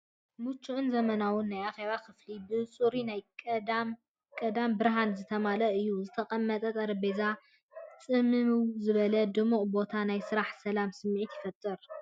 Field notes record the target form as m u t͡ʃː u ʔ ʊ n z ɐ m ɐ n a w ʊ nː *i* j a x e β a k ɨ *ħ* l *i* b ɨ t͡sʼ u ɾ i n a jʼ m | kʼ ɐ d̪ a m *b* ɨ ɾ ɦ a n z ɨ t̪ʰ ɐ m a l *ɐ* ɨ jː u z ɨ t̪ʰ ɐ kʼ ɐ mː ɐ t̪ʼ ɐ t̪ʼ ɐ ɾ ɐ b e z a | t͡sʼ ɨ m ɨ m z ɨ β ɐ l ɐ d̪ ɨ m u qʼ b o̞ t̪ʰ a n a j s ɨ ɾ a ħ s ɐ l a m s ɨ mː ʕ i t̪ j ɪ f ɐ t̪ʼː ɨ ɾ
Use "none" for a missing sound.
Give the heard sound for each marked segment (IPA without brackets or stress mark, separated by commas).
a, f, i, b, ɐ